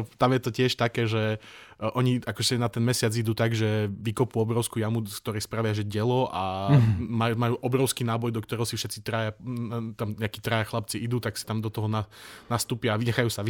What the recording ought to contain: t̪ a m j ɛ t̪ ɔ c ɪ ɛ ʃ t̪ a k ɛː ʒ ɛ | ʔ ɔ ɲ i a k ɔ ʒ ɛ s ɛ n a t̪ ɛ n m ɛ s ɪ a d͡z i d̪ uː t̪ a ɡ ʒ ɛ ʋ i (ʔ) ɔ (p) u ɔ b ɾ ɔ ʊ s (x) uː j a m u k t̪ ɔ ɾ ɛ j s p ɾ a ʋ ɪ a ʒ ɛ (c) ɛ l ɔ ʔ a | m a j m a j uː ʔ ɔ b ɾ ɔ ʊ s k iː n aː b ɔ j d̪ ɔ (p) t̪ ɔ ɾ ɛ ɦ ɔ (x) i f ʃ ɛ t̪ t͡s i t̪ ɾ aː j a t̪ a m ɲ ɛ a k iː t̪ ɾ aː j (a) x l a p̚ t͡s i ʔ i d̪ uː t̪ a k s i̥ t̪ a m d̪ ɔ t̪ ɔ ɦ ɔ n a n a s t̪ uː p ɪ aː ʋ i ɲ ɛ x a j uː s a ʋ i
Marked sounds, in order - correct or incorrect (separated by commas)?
incorrect, correct, incorrect, incorrect, incorrect, incorrect, correct